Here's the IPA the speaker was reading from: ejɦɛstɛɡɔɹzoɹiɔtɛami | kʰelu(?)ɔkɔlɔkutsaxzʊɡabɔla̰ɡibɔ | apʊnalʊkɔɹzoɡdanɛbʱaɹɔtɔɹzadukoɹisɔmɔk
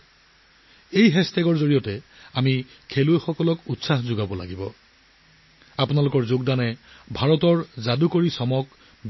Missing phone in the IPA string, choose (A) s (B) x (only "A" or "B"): B